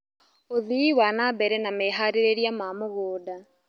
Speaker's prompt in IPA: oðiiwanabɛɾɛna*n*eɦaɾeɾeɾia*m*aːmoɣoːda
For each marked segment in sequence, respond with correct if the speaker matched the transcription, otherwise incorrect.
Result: incorrect, correct

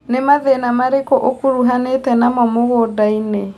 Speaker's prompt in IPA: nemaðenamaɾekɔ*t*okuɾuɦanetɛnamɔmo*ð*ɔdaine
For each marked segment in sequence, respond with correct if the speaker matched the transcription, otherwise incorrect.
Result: incorrect, incorrect

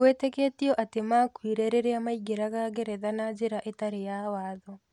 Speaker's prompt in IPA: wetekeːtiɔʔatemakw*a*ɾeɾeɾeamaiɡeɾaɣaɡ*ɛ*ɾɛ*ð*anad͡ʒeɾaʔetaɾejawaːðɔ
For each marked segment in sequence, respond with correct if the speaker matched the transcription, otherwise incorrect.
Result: incorrect, incorrect, correct

